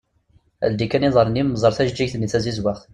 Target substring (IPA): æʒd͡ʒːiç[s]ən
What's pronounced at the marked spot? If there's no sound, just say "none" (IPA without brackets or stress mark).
θ